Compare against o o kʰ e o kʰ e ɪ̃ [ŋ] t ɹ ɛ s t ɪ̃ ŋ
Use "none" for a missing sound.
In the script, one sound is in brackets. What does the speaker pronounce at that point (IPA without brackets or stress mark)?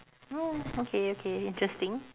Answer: n